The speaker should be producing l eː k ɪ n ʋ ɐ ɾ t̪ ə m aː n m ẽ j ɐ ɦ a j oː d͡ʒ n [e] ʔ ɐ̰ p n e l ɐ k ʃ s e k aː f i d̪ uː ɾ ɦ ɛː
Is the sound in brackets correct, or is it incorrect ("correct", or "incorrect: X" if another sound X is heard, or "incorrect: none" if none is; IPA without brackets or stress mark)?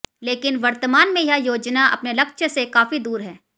incorrect: a